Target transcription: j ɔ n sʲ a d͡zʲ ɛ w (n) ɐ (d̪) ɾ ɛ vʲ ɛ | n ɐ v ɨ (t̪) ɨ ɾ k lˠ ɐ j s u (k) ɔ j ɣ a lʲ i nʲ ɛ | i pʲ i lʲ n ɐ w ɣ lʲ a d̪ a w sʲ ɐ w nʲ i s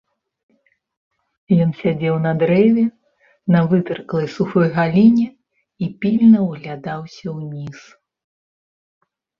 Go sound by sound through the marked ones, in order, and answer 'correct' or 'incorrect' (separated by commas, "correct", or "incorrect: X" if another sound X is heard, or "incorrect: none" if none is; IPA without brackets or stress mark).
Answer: correct, correct, correct, incorrect: x